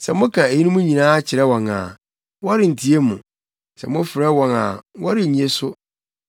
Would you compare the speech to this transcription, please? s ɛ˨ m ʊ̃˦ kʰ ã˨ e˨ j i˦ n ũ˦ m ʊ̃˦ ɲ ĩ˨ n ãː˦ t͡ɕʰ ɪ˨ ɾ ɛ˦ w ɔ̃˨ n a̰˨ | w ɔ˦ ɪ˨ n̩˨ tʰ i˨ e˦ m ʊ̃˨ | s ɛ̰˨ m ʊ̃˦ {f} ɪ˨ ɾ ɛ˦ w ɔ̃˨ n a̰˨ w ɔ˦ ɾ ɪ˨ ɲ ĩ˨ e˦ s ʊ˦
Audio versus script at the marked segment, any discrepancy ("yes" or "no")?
no